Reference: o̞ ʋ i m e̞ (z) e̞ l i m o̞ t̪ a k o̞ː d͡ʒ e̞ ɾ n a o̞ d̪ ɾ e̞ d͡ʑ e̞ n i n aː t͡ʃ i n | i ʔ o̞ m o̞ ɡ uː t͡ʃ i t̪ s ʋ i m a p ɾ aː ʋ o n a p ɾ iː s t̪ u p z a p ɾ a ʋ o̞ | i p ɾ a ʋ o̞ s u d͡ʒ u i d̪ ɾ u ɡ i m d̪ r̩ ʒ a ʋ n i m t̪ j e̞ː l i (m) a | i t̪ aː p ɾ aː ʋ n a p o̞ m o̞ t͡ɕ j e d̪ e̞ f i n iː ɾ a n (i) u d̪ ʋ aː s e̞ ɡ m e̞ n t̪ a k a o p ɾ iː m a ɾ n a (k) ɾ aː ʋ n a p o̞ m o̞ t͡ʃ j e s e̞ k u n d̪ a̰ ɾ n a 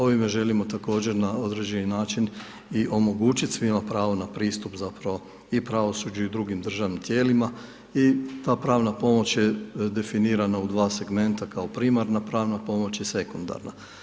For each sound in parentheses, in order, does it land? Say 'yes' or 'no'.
no, yes, no, no

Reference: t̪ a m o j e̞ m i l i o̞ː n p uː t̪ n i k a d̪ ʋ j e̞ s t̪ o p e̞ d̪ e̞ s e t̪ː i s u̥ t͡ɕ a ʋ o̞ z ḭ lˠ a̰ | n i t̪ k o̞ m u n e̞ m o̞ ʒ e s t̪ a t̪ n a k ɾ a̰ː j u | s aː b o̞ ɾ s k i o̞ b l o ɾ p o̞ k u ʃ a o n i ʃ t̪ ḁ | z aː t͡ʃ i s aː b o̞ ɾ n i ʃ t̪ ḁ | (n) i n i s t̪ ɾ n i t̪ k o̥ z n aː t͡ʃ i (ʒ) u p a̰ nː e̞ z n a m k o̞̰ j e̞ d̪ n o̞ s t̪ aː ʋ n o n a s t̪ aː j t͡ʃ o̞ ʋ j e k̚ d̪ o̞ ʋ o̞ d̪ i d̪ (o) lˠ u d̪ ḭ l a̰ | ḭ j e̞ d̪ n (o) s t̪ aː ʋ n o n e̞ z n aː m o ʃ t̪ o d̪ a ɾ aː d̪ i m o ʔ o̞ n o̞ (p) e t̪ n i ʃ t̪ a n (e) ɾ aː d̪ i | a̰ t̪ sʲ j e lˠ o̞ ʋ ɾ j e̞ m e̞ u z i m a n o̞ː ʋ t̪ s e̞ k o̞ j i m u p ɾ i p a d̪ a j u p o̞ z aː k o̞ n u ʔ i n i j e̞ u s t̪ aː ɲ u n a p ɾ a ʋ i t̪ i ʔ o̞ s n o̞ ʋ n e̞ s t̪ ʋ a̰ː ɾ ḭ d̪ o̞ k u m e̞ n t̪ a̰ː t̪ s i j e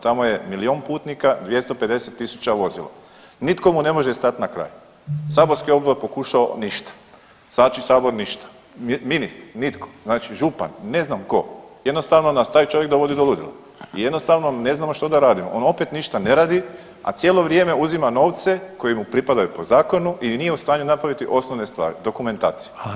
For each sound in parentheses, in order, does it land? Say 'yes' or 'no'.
no, yes, yes, yes, yes, yes

